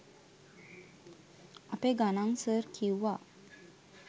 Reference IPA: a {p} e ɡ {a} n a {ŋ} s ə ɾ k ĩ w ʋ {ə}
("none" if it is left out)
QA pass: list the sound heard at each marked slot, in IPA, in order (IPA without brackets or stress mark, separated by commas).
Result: p, a, ŋ, a